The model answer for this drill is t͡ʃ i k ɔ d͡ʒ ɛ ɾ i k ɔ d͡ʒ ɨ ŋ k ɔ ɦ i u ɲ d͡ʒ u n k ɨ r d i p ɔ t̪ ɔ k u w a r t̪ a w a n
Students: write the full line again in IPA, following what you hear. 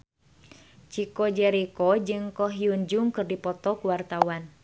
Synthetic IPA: t͡ʃ i k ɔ d͡ʒ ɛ ɾ i k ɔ d͡ʒ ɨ ŋ k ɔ ɦ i u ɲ d͡ʒ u ŋ k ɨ r d i p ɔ t̪ ɔ k u w a r t̪ a w a n